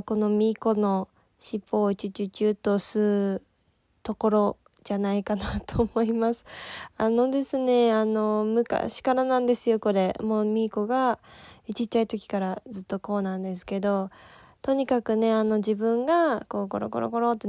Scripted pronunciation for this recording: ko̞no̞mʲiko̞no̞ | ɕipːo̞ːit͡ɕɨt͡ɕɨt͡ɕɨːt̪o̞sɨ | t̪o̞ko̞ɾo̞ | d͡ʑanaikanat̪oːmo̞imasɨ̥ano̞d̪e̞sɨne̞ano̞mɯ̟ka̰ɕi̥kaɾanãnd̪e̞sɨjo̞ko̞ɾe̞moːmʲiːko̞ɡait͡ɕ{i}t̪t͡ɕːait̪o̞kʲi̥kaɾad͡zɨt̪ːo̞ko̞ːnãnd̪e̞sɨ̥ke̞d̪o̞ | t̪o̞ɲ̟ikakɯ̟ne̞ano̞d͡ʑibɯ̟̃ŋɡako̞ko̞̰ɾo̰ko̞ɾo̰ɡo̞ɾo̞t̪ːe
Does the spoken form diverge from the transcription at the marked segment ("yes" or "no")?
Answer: no